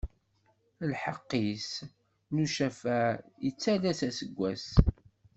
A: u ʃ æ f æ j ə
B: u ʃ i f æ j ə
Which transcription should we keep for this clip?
A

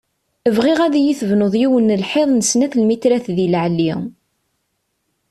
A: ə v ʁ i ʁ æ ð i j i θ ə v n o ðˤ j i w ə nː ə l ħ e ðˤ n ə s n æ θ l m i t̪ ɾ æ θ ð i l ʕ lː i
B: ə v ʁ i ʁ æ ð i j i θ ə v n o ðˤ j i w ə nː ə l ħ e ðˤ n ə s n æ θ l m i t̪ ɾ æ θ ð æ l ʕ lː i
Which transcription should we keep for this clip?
A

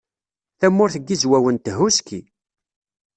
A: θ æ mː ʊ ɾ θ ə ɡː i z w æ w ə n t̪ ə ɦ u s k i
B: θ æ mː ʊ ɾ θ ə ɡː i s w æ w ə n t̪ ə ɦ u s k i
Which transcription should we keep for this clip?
A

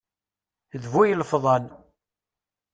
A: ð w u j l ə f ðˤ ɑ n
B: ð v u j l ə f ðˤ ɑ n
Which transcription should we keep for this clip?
B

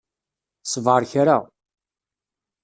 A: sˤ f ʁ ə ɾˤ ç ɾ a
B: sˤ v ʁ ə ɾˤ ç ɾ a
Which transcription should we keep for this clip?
B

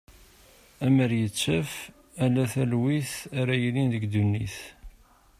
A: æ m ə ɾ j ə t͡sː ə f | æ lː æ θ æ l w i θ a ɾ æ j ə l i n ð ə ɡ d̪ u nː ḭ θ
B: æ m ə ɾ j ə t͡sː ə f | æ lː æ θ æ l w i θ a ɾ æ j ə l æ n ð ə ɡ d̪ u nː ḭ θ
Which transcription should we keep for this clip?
A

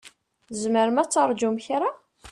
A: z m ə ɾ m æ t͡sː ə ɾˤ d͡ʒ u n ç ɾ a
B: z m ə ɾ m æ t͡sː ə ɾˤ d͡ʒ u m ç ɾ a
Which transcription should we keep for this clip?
B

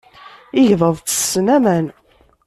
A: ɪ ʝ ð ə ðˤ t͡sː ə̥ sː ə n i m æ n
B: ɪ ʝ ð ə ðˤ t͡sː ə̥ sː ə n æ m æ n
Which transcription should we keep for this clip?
B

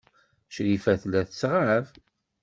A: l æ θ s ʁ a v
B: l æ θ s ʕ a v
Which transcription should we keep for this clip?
A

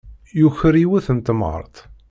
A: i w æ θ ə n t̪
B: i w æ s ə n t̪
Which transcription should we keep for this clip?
A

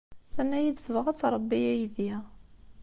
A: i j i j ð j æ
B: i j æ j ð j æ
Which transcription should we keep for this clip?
B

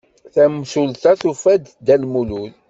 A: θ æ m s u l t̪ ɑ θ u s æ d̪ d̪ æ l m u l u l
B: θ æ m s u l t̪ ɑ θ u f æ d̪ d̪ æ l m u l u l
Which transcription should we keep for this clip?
B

